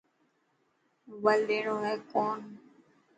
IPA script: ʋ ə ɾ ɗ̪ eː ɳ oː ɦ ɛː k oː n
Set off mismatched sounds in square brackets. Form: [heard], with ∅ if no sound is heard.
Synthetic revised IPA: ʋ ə [l] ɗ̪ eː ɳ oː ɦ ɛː k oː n